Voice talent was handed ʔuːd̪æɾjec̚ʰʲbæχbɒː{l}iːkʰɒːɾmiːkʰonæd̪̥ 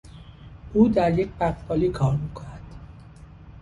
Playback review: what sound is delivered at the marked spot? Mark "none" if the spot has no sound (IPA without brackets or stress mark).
l